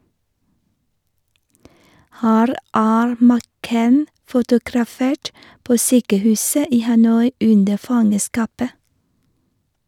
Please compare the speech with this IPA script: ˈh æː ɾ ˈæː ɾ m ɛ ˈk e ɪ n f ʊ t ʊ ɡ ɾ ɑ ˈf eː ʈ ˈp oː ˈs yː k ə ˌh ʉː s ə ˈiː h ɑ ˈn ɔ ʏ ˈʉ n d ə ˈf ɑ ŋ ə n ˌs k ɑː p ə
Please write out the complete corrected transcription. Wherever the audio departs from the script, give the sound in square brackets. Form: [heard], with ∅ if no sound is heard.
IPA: ˈh æː ɾ ˈæː ɾ m [æ] ˈk e ɪ n f ʊ t ʊ ɡ ɾ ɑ ˈf eː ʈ ˈp oː ˈs yː k ə ˌh ʉː s ə ˈiː h ɑ ˈn ɔ ʏ ˈʉ n d ə ˈf ɑ ŋ ə [∅] ˌs k ɑː p ə